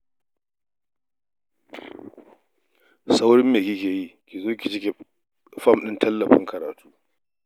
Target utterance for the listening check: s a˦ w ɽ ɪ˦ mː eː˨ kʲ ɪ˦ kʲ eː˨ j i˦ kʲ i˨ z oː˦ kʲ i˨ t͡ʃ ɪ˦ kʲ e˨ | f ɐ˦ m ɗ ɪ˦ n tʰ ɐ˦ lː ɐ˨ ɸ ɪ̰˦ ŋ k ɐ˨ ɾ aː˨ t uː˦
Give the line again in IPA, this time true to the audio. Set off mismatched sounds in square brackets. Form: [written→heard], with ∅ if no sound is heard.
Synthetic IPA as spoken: s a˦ w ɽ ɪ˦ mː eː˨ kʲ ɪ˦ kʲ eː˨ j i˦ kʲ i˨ z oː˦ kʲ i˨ t͡ʃ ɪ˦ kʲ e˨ | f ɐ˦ m ɗ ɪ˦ n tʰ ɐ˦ lː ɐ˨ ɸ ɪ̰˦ ŋ k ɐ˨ ɾ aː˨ t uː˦